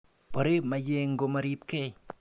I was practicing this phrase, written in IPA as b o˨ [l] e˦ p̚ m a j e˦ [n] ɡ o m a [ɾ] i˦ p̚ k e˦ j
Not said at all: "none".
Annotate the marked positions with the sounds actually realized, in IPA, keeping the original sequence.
ɾ, ŋ, ɾ

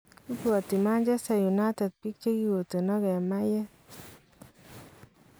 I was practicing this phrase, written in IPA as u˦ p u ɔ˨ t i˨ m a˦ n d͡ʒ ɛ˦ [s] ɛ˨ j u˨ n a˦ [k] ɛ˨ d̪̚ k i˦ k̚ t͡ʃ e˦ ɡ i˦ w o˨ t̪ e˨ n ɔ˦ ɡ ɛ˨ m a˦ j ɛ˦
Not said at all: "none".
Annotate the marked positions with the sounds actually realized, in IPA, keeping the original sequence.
s, t

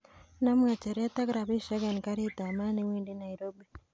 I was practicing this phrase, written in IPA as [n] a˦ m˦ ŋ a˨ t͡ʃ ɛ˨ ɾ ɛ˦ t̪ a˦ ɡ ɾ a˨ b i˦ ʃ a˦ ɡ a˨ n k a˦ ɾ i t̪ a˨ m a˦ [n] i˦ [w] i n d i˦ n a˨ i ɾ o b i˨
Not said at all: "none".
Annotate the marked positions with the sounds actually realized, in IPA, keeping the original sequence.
n, n, w

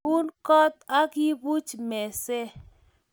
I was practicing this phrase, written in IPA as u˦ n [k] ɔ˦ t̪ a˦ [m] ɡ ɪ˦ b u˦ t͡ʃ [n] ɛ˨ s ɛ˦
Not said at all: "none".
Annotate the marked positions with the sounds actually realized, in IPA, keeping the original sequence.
k, none, m

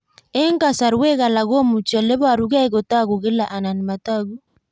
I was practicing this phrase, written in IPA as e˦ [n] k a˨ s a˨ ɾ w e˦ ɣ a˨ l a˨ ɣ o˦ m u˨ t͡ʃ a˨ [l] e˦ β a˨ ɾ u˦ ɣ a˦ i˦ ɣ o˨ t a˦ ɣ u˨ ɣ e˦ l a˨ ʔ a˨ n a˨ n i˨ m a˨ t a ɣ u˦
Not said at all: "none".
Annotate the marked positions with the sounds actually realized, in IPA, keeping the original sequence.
ŋ, l

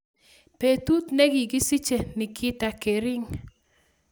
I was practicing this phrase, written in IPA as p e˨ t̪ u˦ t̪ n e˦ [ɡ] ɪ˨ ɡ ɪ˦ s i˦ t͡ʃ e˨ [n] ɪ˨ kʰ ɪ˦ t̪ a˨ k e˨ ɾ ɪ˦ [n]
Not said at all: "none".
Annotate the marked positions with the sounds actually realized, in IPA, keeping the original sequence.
ɡ, n, ŋ

